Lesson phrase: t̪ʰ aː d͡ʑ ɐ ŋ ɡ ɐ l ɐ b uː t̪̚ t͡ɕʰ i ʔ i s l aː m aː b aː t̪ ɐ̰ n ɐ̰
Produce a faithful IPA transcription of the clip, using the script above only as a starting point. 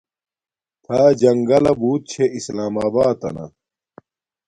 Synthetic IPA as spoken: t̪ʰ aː d͡ʑ ɐ ŋ ɡ ɐ l ɐ b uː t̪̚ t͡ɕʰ e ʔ i s l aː m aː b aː t̪ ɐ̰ n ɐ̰